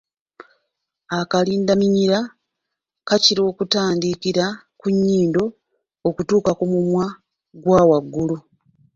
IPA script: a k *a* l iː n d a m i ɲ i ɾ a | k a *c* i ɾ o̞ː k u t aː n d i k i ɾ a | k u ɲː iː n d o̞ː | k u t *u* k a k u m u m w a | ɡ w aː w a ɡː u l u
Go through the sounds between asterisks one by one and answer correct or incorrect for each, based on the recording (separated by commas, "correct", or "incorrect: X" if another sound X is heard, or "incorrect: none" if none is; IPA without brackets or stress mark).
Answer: correct, correct, incorrect: uː